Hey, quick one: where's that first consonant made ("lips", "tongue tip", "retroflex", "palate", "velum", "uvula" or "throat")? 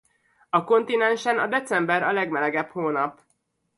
velum